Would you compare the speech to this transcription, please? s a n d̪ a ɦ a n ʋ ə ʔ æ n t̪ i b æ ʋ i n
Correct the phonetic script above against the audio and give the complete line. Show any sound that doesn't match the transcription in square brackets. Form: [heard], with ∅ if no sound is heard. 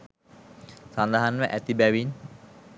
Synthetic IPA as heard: s a n d̪ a ɦ a n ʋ ə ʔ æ [∅] t̪ i b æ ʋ i n